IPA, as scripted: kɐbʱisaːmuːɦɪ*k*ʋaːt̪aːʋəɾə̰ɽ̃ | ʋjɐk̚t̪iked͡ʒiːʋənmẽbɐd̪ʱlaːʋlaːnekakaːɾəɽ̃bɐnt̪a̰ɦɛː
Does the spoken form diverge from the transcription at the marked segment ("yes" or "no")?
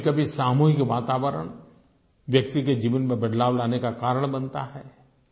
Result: no